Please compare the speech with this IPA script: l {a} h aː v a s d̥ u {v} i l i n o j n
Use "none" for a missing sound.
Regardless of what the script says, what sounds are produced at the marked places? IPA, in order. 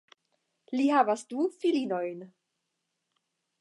i, f

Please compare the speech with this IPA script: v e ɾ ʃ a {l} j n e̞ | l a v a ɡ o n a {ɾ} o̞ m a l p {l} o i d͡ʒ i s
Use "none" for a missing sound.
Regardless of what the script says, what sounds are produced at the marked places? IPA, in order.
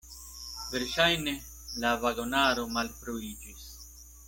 none, ɾ, ɾ

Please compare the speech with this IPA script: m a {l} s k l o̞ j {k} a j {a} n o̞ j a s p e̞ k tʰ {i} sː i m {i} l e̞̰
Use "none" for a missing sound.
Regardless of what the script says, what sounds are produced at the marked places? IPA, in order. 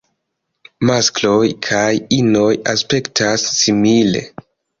none, kʰ, i, a, i

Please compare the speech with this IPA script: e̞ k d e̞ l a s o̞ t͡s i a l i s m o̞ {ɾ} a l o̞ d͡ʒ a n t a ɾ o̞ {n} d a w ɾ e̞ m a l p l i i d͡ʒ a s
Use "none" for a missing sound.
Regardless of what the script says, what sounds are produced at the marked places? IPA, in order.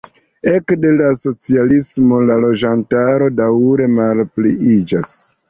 l, none

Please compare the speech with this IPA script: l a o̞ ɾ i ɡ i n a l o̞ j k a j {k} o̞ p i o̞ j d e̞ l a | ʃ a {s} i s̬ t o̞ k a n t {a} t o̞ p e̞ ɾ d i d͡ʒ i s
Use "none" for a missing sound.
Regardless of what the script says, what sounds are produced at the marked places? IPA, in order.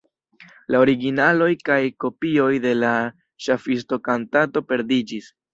k, f, a

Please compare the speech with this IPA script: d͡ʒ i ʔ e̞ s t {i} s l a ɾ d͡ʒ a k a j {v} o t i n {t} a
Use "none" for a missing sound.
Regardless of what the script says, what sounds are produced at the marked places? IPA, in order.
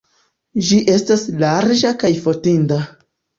a, f, d

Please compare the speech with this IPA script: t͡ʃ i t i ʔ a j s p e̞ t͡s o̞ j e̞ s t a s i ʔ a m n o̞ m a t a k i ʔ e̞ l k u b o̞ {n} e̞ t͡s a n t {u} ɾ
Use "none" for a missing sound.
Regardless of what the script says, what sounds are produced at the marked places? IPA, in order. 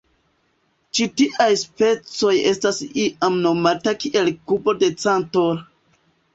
d, o

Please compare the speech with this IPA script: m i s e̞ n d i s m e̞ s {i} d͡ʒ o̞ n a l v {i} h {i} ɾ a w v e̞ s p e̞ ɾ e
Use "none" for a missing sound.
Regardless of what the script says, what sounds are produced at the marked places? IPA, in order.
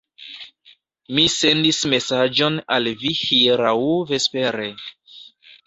a, i, i

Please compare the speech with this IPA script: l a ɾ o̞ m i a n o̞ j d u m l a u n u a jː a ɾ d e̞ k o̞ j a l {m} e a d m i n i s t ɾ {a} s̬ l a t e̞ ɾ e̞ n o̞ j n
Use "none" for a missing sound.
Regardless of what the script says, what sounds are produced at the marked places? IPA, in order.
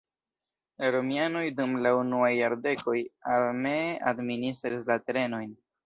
m, i

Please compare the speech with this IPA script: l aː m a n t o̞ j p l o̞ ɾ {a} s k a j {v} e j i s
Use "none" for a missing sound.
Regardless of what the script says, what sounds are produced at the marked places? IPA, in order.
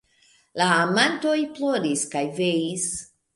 i, v

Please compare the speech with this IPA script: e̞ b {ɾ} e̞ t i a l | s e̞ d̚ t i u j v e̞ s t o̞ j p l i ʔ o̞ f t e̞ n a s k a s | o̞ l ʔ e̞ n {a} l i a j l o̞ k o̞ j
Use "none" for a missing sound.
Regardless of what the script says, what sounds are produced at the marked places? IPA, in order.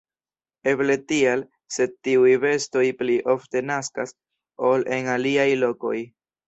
l, a

